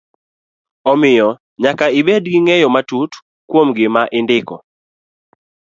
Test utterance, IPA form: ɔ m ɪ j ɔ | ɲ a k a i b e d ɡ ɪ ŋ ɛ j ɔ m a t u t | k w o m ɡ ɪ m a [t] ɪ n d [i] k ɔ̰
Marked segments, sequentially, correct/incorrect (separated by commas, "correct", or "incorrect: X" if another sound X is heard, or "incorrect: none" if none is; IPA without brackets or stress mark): incorrect: ʔ, incorrect: ɪ